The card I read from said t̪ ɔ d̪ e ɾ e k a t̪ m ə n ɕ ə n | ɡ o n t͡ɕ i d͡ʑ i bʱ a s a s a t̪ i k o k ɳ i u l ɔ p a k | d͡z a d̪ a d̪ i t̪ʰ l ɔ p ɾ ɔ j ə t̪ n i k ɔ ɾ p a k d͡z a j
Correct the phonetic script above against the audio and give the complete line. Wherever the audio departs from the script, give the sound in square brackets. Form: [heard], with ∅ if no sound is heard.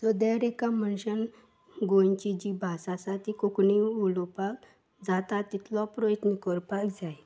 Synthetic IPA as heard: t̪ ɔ d̪ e ɾ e k a [∅] m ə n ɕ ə n | ɡ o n t͡ɕ i d͡ʑ i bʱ a s a s a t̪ i k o k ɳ i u l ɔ p a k | d͡z a [t̪] a [t̪] i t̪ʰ l ɔ p ɾ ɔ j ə t̪ n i k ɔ ɾ p a k d͡z a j